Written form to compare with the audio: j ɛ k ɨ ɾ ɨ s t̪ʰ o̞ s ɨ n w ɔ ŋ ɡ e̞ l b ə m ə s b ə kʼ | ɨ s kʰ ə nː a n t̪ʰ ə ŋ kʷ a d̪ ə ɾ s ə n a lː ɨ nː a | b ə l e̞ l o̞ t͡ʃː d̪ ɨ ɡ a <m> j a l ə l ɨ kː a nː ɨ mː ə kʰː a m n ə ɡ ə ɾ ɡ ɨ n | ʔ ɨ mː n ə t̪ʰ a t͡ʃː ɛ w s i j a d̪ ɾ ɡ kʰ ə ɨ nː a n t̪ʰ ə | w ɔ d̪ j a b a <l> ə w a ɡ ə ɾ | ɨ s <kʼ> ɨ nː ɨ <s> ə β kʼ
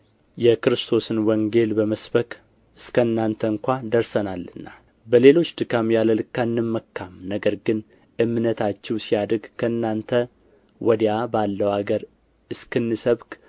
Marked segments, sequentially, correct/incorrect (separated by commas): correct, incorrect, incorrect, correct